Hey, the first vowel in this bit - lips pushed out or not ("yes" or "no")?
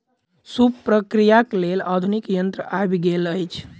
yes